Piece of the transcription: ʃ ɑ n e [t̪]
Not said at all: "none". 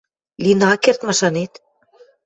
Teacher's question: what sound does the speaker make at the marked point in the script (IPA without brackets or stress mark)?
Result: t̪